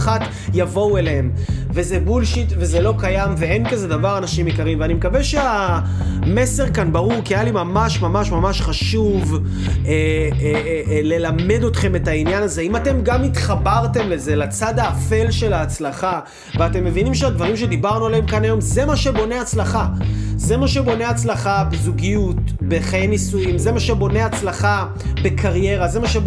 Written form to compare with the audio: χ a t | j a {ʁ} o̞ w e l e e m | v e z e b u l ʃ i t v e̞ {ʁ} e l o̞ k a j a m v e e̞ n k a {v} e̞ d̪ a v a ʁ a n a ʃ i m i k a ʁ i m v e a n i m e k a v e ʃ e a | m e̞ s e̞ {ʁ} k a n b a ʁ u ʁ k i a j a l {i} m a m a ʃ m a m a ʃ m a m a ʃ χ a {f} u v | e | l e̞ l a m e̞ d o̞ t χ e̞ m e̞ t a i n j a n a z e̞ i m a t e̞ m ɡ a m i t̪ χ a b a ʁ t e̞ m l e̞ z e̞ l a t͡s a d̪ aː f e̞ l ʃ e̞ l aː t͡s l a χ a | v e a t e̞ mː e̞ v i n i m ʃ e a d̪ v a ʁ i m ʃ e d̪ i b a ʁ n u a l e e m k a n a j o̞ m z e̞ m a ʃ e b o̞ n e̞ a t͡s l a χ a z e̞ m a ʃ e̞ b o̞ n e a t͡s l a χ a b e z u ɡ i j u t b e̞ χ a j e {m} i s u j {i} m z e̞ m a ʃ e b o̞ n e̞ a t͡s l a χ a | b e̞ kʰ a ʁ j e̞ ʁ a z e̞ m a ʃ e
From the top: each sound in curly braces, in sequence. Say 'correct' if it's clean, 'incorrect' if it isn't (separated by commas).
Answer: incorrect, incorrect, incorrect, correct, correct, incorrect, incorrect, correct